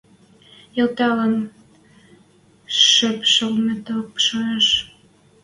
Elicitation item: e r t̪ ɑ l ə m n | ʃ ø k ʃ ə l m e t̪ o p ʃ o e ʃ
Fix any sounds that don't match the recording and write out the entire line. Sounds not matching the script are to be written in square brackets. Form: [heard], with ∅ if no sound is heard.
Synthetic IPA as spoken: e [l] t̪ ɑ l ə [∅] n | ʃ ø [p] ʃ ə l m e t̪ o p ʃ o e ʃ